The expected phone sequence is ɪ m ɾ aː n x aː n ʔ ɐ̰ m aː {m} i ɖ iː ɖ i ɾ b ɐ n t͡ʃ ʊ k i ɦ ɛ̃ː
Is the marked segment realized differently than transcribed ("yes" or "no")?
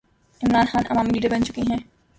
no